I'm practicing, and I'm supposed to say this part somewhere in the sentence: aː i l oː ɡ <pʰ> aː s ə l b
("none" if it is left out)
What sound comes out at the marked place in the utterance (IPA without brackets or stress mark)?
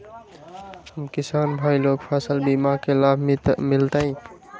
pʰ